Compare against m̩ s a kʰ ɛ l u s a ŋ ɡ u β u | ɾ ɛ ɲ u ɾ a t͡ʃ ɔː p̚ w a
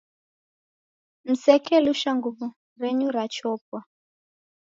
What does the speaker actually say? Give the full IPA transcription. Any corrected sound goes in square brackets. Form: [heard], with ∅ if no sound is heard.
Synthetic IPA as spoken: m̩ s [ɛ] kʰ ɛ l u [ʃ] a ŋ ɡ u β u | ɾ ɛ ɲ u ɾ a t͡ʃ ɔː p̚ w a